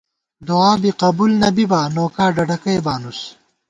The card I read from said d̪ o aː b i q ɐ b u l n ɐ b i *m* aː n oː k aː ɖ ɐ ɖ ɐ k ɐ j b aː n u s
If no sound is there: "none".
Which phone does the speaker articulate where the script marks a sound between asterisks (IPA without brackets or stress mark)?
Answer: b